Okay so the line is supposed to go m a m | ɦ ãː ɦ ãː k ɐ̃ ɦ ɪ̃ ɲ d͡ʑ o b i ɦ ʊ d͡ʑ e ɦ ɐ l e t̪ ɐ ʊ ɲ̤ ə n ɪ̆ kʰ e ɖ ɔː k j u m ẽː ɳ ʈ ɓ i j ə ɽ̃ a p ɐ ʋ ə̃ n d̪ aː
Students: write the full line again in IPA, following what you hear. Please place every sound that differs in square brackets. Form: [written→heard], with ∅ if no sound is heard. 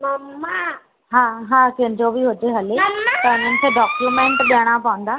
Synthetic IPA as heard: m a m | ɦ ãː ɦ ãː k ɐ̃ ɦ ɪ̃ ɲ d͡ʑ o b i ɦ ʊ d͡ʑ e ɦ ɐ l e t̪ ɐ ʊ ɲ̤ ə n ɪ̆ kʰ e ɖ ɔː k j u m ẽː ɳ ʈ ɓ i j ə ɽ̃ a p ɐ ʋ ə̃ n d̪ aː

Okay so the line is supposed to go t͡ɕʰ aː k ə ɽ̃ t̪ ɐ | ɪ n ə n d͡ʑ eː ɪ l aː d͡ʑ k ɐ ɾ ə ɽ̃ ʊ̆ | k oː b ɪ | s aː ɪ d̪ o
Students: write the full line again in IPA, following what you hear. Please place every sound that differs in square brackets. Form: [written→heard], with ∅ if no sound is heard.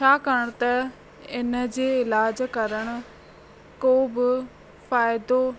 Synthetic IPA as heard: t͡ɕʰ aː k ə ɽ̃ t̪ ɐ | ɪ n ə [n→∅] d͡ʑ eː ɪ l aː d͡ʑ k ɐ ɾ ə ɽ̃ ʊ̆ | k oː b ɪ | [s→f] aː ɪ d̪ o

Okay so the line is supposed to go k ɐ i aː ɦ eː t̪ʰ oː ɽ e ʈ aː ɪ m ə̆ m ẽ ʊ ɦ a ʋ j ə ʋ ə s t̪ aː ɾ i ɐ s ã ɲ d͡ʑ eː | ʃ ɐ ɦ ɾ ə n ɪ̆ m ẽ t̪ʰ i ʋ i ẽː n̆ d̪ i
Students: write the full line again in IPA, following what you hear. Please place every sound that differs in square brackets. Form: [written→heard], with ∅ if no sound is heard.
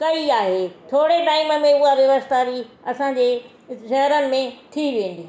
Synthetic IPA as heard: k ɐ i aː ɦ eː t̪ʰ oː ɽ e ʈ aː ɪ m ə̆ m ẽ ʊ ɦ a ʋ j [ə→ɐ] ʋ ə s t̪ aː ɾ i ɐ s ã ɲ d͡ʑ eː | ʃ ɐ ɦ ɾ ə n ɪ̆ m ẽ t̪ʰ i ʋ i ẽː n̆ d̪ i

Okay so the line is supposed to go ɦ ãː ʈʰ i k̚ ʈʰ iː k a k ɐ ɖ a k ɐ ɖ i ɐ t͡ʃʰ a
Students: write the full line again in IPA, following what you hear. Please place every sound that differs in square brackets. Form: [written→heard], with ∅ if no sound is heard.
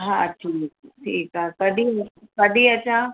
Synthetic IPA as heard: ɦ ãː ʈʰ [i→iː] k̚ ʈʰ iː k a k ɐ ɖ [a→i] k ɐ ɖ i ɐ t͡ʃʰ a

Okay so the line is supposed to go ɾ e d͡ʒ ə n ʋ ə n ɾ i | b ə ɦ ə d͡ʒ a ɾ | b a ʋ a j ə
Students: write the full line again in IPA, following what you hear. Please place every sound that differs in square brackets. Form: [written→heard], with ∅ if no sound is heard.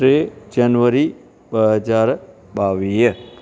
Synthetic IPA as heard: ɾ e d͡ʒ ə n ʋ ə [n→∅] ɾ i | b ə ɦ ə d͡ʒ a ɾ | b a ʋ [a→i] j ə

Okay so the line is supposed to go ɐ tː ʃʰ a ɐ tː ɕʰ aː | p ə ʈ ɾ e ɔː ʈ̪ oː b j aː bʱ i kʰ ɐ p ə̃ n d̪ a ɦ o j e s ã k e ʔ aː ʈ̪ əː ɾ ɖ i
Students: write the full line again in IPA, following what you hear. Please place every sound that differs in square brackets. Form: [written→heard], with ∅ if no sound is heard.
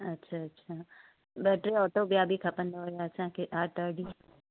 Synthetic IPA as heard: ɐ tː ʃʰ a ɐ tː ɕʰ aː | [p→b] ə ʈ ɾ e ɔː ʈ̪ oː b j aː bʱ i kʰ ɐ p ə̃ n d̪ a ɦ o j [e→a] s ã k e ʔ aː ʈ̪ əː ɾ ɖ i

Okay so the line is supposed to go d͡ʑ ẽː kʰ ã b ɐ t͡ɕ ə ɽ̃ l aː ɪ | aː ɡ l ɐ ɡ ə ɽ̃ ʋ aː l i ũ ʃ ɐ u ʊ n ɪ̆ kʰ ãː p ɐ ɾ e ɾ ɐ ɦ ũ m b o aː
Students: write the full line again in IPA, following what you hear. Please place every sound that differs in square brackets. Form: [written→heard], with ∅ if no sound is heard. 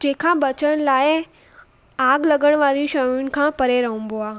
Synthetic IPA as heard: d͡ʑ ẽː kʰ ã b ɐ t͡ɕ ə ɽ̃ l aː ɪ | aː ɡ l ɐ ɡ ə ɽ̃ ʋ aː [l→ɾ] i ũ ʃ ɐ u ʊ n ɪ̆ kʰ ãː p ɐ ɾ e ɾ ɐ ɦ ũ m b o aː

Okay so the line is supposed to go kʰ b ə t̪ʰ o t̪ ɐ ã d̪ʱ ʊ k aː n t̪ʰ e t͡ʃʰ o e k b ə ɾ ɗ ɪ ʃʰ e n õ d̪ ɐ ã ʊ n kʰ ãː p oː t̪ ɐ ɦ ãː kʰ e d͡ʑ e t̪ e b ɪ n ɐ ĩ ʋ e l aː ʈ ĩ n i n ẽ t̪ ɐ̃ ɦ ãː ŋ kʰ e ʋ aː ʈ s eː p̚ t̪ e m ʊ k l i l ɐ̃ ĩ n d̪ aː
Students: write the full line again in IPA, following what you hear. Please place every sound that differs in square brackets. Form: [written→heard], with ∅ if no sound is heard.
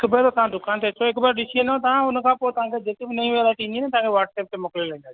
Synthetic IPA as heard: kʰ b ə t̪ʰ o t̪ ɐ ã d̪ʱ ʊ k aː n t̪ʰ e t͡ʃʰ o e k b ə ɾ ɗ ɪ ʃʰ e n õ [d̪→t̪] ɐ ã ʊ n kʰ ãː p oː t̪ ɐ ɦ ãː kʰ e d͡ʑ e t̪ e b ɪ n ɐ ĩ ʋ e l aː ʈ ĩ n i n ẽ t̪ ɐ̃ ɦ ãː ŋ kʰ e ʋ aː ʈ s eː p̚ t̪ e m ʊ k l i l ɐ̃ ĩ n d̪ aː

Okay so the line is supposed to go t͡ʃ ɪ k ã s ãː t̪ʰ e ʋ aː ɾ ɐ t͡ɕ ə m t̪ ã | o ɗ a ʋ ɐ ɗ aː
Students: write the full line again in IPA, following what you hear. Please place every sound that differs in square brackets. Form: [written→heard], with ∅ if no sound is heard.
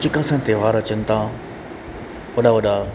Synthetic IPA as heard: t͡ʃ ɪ k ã s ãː [t̪ʰ→t̪] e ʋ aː ɾ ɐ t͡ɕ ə [m→n] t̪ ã | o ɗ a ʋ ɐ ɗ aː

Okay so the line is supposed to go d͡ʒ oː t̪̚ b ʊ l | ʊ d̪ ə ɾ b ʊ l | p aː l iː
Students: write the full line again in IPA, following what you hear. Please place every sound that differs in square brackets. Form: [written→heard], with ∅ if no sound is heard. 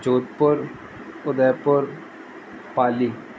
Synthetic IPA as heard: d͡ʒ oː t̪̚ [b→p] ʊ [l→ɾ] | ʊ d̪ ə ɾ [b→p] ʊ [l→ɾ] | p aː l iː

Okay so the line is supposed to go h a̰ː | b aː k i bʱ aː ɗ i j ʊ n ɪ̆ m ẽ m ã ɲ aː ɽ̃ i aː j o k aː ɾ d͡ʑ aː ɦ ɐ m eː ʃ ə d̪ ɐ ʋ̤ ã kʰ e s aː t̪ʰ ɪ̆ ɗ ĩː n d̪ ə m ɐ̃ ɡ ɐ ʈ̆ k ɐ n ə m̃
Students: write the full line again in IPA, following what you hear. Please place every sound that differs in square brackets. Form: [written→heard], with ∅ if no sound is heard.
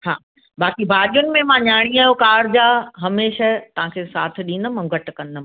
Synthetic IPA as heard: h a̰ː | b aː k i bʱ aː ɗ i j ʊ n ɪ̆ m ẽ m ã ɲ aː ɽ̃ i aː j o k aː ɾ d͡ʑ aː ɦ ɐ m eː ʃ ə [d̪→t̪] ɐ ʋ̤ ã kʰ e s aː t̪ʰ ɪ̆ ɗ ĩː n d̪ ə m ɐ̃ ɡ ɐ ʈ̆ k ɐ n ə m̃

